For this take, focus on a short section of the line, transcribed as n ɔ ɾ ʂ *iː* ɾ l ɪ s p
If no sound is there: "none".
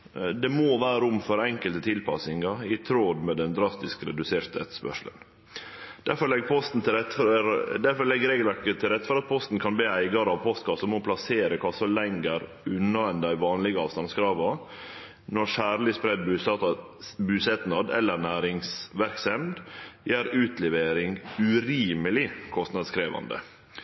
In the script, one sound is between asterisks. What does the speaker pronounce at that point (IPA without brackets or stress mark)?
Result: æː